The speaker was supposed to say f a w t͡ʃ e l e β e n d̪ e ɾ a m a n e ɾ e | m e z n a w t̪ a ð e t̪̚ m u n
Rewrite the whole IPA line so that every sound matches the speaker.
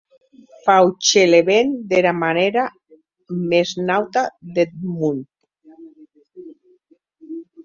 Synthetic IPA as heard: f a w t͡ʃ e l e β e n d̪ e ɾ a m a n e ɾ a | m e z n a w t̪ a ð e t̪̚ m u n